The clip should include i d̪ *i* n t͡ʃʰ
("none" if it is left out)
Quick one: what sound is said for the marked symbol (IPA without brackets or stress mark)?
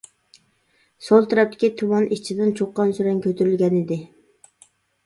ɪ